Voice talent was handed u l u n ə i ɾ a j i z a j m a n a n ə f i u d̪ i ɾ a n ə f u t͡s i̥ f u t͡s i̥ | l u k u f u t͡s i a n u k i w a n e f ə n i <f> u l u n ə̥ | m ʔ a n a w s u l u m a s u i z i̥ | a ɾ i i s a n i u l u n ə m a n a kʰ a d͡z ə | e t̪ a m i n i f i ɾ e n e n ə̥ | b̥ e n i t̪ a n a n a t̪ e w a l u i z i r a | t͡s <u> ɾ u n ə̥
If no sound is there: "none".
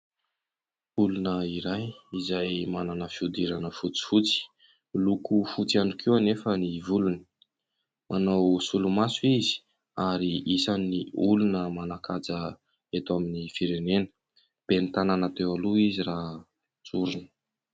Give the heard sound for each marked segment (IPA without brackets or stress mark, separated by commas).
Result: v, u